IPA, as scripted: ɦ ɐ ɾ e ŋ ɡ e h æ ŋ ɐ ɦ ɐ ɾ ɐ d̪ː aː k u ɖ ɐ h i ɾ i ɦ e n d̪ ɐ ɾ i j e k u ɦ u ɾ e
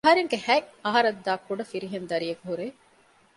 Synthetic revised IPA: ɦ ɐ ɾ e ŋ ɡ e h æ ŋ ɐ ɦ ɐ ɾ ɐ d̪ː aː k u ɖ ɐ f i ɾ i ɦ e n d̪ ɐ ɾ i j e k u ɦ u ɾ e